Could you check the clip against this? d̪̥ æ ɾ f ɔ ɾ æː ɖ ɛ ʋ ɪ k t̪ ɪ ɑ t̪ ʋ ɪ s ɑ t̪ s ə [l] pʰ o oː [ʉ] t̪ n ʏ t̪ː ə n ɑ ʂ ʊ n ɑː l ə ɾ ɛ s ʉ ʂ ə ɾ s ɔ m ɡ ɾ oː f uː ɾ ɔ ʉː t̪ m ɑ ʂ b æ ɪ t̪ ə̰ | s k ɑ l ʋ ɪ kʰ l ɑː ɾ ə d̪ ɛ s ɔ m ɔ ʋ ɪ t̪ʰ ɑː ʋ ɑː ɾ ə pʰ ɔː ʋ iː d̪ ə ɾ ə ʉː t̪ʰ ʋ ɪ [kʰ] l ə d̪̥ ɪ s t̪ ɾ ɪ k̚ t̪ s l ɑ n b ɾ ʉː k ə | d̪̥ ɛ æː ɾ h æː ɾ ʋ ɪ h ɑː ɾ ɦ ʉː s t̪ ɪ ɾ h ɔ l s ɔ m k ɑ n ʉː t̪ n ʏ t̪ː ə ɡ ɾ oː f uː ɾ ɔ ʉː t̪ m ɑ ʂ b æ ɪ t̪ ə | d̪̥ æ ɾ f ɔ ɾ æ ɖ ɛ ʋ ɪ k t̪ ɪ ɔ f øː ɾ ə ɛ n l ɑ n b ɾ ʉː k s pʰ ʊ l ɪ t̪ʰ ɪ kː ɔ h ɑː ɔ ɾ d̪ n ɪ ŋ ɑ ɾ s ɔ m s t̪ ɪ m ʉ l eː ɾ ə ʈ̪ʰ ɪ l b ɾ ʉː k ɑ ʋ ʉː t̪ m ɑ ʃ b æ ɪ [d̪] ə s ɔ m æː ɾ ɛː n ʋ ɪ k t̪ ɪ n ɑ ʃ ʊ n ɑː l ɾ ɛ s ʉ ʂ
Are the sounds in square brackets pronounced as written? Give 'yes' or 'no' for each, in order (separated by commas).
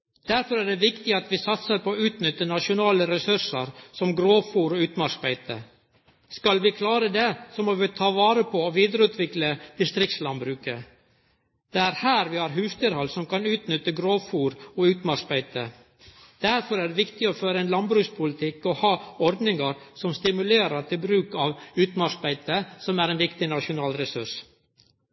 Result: no, no, no, no